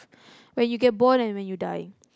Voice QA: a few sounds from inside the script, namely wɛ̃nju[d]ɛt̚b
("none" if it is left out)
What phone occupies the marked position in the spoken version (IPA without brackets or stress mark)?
ɡ